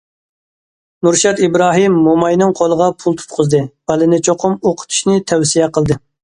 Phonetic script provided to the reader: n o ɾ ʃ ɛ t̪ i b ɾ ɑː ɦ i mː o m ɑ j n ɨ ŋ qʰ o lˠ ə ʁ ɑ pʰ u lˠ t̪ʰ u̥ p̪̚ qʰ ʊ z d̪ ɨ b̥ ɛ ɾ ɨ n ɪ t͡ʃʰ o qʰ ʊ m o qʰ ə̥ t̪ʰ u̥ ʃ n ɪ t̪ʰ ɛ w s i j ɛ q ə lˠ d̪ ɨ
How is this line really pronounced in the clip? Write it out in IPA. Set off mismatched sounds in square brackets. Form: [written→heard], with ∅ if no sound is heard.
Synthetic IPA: n [o→u] ɾ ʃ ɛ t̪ i b ɾ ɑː ɦ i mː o m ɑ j n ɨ ŋ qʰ o lˠ ə ʁ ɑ pʰ u lˠ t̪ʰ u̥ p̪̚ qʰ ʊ z d̪ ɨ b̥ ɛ [ɾ→l] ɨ n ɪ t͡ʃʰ o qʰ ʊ m o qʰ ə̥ t̪ʰ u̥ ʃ n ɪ t̪ʰ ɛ w s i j ɛ q ə lˠ d̪ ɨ